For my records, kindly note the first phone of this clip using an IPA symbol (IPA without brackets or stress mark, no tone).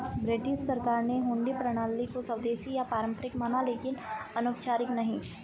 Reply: b